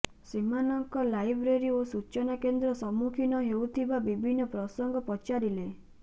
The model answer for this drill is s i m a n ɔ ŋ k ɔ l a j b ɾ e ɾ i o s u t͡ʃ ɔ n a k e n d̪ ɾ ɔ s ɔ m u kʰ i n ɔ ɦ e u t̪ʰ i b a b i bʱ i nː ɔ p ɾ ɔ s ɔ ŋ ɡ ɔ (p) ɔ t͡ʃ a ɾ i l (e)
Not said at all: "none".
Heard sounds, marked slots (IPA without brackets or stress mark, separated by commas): p, e